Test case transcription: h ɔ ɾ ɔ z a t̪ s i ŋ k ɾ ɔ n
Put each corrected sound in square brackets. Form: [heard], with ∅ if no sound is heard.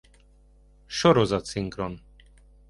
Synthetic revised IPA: [ʃ] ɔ ɾ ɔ z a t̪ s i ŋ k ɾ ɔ n